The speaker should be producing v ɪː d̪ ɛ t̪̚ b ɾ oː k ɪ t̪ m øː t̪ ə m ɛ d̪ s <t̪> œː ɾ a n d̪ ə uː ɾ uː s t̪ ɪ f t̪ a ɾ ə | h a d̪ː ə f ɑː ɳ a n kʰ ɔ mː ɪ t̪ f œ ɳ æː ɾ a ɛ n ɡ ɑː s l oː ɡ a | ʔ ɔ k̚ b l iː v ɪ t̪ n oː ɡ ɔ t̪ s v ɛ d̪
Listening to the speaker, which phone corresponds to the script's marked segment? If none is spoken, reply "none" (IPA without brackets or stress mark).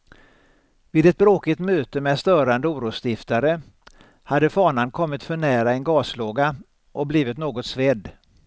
t̪